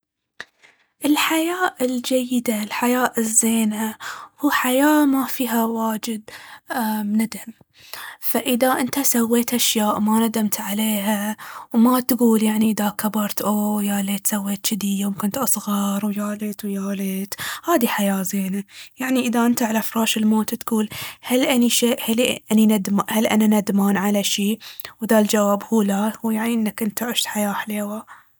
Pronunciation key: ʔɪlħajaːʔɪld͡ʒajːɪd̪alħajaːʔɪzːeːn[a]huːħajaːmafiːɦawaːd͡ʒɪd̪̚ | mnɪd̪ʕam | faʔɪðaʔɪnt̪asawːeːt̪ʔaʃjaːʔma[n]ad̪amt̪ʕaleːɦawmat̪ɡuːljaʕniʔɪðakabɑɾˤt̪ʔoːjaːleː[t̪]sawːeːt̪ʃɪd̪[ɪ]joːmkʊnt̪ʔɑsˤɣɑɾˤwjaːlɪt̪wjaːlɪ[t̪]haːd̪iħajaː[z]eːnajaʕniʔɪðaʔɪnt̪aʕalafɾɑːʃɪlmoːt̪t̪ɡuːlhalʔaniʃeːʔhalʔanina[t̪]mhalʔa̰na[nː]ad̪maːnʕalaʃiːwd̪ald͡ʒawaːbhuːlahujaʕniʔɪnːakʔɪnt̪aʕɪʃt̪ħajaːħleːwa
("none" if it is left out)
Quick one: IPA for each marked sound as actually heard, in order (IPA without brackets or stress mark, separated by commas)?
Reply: a, n, t̪, i, t̪, z, d̪, n